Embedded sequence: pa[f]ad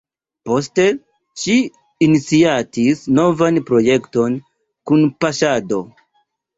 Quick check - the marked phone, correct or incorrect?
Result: incorrect